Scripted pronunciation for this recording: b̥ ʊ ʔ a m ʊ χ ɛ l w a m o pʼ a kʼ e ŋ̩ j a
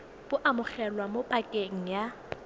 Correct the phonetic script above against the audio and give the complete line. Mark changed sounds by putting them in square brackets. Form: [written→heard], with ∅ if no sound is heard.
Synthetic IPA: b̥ ʊ ʔ a m ʊ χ ɛ l w a m o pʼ a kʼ e ŋ̩ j a